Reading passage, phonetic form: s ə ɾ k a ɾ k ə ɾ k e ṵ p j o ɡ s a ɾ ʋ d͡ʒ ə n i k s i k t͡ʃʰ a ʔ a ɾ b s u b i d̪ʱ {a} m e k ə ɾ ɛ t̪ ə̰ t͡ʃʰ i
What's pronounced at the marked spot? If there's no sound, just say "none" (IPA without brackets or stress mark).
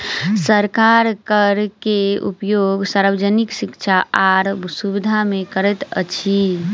a